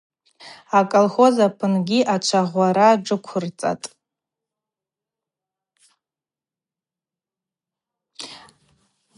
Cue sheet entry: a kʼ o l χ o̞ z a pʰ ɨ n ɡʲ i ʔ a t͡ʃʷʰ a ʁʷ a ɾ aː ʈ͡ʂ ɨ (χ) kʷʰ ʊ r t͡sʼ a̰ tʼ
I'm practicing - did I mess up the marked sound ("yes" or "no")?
yes